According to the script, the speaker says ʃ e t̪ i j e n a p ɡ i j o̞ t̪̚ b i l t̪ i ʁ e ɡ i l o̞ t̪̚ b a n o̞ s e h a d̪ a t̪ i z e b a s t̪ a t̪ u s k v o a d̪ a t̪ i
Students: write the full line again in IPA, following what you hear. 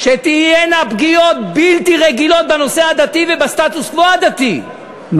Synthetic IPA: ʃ e t̪ i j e n a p ɡ i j o̞ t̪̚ b i l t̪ i ʁ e ɡ i l o̞ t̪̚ b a n o̞ s e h a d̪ a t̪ i v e b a s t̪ a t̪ u s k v o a d̪ a t̪ i